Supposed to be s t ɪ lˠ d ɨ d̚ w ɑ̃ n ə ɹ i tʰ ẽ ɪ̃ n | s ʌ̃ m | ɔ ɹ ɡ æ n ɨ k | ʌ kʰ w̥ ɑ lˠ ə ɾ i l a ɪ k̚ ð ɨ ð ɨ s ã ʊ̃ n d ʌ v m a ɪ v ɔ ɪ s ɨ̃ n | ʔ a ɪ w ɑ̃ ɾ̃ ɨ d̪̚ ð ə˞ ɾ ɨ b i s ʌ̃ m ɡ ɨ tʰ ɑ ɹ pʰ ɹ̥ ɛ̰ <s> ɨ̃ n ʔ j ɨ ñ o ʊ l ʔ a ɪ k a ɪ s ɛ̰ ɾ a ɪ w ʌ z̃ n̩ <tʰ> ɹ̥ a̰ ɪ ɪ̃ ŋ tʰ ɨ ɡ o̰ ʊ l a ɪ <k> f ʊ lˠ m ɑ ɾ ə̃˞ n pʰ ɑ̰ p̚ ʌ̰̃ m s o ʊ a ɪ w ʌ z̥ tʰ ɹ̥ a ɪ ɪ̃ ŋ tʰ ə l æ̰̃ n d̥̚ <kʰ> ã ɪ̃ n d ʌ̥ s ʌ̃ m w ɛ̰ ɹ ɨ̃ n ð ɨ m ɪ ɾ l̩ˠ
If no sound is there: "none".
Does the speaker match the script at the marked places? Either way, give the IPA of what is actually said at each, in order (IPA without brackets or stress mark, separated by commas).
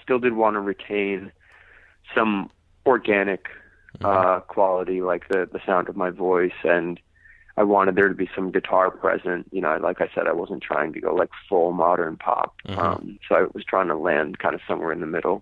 z, tʰ, k, kʰ